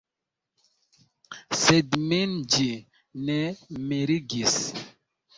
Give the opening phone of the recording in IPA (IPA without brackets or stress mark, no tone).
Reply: s